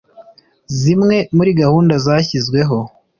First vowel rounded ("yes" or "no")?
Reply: no